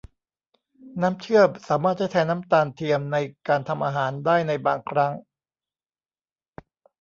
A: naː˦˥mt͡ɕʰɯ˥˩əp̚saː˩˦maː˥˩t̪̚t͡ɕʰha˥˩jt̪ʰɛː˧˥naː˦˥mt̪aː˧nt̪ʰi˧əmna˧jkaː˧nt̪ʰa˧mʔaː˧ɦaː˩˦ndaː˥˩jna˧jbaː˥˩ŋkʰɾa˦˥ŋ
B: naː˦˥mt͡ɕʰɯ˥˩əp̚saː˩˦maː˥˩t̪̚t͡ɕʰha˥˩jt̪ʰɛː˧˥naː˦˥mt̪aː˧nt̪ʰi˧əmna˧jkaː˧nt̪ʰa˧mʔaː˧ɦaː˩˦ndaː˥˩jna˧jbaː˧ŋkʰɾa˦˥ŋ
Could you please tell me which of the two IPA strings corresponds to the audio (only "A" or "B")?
B